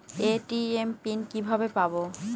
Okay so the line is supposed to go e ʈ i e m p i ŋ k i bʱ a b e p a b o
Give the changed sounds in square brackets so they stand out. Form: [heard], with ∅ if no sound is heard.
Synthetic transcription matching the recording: e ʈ i e m p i [n] k i bʱ a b e p a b o